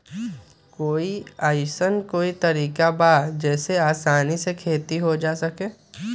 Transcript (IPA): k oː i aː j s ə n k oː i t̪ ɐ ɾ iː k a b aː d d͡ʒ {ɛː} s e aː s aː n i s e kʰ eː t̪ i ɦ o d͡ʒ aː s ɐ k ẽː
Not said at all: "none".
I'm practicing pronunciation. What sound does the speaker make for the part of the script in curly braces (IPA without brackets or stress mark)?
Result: ɛː